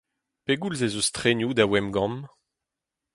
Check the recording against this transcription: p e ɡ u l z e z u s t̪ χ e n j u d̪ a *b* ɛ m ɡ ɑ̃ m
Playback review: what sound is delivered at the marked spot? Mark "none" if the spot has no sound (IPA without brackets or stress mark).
w